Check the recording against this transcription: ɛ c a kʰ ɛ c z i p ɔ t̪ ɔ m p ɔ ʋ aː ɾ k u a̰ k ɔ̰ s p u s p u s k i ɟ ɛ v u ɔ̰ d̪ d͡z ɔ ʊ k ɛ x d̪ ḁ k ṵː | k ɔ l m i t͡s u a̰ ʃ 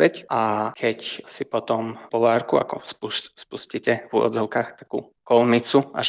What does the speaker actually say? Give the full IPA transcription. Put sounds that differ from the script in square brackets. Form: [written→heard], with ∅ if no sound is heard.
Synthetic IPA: ɛ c a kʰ ɛ c [z→s] i p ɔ t̪ ɔ m p ɔ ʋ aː ɾ k u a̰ k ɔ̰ s p u s p u s [k→c] i [ɟ→c] ɛ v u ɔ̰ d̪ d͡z ɔ ʊ k [ɛ→a] x [d̪→t̪] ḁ k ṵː | k ɔ l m i t͡s u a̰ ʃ